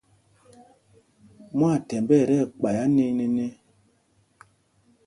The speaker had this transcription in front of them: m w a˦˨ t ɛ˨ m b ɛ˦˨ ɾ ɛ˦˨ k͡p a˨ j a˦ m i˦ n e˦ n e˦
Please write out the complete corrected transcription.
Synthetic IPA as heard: m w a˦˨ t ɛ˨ m b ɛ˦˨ ɾ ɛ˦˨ k͡p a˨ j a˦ n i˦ n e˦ n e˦